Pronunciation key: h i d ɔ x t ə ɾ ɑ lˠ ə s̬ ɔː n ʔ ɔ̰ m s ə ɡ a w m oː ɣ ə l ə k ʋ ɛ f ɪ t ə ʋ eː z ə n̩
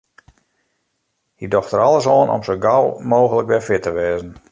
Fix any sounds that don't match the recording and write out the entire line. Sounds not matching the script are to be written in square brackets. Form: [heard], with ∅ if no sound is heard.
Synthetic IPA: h i d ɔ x t ə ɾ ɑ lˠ ə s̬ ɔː n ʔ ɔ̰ m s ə ɡ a w m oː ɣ ə l ə k ʋ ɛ f ɪ t ə ʋ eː z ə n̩

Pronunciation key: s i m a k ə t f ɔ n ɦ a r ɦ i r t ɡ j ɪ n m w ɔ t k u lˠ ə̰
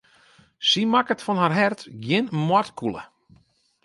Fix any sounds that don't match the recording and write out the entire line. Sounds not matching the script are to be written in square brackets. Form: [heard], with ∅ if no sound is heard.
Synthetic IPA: s i m a k ə t f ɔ n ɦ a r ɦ [ɛ] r t ɡ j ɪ n m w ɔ t k u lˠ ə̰

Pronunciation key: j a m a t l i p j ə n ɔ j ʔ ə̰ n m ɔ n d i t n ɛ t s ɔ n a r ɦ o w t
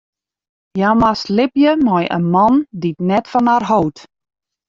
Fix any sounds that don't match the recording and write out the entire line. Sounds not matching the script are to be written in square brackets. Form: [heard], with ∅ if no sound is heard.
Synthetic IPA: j a m a [s] l [ɪ] p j ə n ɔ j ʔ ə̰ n m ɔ n d i t n ɛ t [f] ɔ n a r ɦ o w t

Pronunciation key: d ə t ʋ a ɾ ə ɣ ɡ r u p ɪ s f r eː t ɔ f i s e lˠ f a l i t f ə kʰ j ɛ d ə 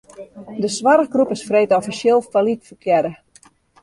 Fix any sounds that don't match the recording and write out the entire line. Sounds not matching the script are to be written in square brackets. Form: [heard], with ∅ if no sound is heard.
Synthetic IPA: d ə [s] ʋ a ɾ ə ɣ ɡ r u p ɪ s f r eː t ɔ f i s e lˠ f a l i t f ə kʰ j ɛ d ə

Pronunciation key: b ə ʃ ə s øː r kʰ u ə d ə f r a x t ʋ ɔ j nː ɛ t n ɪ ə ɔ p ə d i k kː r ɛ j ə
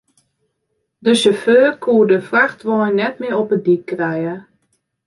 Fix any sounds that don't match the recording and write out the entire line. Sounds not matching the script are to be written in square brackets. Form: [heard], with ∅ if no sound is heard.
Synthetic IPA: [d] ə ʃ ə [f] øː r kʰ u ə d ə f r a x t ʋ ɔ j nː ɛ t [m] ɪ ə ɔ p ə d i k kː r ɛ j ə

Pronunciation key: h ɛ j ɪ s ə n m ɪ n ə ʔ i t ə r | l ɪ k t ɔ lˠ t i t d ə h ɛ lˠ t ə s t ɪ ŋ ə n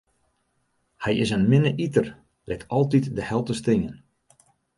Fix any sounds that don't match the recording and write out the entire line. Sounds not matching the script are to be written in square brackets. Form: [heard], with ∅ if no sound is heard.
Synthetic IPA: h ɛ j ɪ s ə n m ɪ n ə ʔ i t ə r | l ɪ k t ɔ lˠ t i t d ə h ɛ lˠ t ə s t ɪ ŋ ə n

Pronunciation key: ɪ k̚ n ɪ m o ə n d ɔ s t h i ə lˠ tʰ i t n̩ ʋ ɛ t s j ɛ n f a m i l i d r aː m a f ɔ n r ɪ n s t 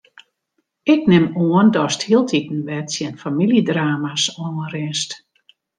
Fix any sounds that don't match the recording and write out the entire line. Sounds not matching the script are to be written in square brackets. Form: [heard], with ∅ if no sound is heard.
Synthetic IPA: ɪ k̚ n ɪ m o ə n d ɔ s t h i ə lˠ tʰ i t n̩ ʋ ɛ t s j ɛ n f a m i l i d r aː m a [s] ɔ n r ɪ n s t

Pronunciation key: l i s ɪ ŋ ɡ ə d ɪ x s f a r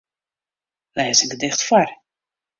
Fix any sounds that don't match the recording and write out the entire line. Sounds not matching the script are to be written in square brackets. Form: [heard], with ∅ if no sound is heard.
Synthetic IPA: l [ɛ] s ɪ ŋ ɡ ə d ɪ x [t] f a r

